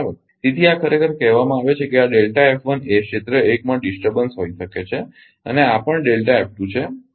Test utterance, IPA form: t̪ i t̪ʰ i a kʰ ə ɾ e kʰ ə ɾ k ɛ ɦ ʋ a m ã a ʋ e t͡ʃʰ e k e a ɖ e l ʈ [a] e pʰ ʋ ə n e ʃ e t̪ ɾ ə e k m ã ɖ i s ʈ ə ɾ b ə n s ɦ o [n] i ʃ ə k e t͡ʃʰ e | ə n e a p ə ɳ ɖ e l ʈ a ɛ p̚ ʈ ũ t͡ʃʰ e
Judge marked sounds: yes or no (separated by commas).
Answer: yes, no